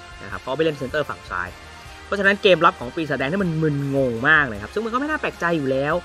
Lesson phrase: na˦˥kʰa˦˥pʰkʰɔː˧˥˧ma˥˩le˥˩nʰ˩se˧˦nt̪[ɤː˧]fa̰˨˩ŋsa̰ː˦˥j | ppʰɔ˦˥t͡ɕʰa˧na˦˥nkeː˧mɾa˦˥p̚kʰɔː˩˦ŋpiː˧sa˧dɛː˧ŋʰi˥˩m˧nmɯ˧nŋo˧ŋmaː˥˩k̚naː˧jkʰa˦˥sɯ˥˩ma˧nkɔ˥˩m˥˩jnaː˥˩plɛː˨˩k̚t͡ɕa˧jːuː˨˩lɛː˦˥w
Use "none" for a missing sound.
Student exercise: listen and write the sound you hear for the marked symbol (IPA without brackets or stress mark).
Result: ɤː˥˩